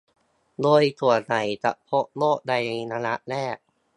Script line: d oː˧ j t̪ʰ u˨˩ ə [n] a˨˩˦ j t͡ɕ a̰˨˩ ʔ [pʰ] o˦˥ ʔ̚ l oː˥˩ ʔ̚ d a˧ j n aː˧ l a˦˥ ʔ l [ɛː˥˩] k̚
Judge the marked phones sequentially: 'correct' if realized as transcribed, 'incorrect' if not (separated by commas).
correct, correct, correct